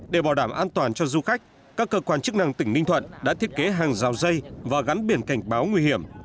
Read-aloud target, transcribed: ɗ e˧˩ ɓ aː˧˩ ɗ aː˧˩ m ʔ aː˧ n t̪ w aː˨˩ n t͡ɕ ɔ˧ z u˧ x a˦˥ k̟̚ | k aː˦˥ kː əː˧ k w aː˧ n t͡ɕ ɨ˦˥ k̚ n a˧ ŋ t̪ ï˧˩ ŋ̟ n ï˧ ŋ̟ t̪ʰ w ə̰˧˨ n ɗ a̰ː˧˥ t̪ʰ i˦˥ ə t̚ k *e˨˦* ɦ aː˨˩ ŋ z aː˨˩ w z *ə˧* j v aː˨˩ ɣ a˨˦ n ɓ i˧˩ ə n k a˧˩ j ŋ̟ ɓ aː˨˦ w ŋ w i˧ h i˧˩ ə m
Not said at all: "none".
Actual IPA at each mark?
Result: e˨˦, ə˧

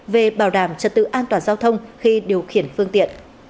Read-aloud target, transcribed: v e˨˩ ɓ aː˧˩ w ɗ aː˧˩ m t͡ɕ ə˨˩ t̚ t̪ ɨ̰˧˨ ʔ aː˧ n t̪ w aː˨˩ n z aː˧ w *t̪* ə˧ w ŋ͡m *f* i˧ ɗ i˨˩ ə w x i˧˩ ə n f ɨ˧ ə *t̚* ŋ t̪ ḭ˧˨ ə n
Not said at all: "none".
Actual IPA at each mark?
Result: t̪ʰ, x, none

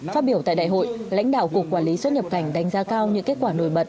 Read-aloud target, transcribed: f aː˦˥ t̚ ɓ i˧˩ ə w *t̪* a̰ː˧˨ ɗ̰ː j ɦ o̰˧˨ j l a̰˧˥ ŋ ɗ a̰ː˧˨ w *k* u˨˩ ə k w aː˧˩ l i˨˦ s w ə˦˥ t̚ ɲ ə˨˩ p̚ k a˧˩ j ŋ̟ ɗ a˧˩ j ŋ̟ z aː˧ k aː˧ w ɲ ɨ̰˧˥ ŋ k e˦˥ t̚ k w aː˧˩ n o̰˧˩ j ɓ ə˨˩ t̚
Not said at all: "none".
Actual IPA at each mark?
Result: t̪, k

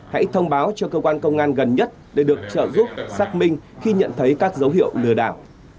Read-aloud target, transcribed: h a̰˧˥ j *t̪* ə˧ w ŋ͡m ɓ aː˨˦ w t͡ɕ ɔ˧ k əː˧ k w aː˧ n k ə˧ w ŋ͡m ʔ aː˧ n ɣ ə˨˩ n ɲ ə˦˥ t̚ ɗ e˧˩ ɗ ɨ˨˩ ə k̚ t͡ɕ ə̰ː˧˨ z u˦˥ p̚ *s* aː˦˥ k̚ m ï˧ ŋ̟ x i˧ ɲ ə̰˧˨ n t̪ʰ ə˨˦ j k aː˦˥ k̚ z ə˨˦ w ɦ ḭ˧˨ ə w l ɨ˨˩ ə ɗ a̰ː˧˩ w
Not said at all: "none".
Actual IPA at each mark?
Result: t̪ʰ, s

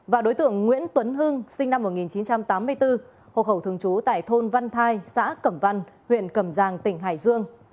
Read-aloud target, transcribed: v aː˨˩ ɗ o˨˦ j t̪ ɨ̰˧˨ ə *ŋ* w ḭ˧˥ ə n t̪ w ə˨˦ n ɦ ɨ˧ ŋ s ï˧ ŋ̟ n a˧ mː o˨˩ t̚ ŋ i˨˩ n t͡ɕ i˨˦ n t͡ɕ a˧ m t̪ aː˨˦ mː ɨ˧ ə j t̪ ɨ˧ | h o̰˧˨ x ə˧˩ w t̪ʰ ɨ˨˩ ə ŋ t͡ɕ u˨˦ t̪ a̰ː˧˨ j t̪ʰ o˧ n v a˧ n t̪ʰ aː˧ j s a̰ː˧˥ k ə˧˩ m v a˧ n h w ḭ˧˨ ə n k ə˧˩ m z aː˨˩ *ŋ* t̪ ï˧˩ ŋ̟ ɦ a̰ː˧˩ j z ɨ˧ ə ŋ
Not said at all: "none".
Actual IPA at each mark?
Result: ŋː, ŋ

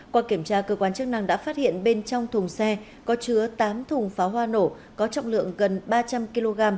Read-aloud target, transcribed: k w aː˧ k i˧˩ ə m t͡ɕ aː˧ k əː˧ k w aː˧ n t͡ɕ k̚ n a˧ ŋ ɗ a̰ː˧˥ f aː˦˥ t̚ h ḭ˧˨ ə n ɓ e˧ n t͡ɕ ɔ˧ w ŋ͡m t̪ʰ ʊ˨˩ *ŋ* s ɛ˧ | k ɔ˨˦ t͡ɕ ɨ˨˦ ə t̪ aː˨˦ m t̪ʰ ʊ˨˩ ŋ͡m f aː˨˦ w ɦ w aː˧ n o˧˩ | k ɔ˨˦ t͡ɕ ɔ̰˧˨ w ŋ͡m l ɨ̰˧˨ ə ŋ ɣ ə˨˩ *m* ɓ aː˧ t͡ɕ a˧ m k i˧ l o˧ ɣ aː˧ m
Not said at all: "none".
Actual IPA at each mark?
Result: ŋ͡m, n

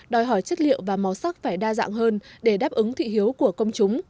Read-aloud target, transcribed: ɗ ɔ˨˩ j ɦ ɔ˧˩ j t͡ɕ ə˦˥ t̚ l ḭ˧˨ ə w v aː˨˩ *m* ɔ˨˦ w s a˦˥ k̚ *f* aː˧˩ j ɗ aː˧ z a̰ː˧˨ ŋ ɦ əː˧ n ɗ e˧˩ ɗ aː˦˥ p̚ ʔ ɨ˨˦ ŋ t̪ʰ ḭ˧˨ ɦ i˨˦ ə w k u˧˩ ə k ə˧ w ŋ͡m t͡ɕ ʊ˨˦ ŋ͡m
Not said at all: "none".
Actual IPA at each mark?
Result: m, f

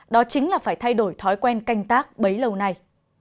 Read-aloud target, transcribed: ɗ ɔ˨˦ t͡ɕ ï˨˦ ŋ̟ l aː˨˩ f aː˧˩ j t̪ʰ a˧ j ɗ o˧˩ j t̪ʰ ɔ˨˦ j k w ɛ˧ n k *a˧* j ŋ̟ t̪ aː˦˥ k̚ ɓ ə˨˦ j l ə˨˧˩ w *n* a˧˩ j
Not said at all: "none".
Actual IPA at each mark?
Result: a˧, n

